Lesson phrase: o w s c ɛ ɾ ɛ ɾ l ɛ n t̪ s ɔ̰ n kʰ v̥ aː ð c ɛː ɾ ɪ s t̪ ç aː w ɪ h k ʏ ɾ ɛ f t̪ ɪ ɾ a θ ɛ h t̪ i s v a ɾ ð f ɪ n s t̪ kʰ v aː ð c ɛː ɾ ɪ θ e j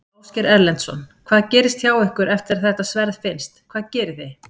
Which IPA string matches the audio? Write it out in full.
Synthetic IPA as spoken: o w s c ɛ ɾ ɛ ɾ l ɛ n t̪ s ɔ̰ n kʰ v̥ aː ð c ɛː ɾ ɪ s t̪ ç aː w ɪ h k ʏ ɾ ɛ f t̪ ɪ ɾ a θ ɛ h t̪ a s v ɛ ɾ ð f ɪ n s t̪ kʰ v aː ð c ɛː ɾ ɪ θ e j